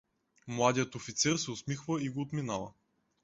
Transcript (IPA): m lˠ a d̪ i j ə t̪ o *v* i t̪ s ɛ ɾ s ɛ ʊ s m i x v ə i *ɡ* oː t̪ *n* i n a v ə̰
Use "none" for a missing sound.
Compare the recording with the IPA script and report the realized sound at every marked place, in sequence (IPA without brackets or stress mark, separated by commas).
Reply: f, ɡ, m